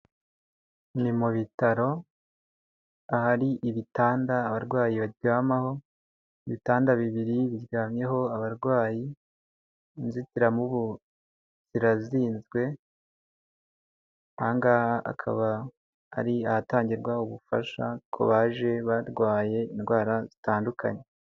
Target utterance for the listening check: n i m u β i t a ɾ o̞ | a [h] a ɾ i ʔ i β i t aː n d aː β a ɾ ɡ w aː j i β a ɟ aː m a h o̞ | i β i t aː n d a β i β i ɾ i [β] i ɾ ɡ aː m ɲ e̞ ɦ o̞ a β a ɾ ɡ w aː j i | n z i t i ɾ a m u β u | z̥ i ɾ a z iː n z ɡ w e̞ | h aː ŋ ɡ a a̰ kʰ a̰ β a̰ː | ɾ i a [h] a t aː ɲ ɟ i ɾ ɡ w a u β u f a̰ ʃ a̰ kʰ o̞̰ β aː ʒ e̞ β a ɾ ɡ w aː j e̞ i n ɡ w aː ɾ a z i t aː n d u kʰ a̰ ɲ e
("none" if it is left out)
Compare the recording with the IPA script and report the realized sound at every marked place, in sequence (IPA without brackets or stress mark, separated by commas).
h, β, h